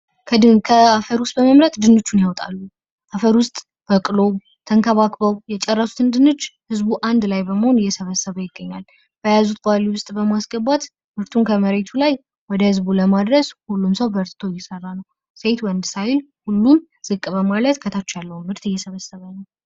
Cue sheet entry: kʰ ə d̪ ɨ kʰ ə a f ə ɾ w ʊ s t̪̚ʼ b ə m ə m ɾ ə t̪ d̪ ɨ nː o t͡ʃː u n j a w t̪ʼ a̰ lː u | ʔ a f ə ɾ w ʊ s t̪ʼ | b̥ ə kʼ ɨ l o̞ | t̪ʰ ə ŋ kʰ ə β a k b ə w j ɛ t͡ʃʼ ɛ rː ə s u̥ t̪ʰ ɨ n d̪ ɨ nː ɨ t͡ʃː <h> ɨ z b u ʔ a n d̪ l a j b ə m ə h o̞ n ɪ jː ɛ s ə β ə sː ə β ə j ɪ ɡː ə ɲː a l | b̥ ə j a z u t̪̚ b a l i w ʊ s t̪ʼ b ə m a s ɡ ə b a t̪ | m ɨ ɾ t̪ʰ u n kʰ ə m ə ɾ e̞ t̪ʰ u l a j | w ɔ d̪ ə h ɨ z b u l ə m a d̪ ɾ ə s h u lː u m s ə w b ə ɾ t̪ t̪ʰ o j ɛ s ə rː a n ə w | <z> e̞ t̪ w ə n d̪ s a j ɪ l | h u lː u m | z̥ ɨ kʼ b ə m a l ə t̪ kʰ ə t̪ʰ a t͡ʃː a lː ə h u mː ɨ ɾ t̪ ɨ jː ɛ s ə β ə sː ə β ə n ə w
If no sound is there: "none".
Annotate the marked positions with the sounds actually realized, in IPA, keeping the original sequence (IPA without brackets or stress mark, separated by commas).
h, s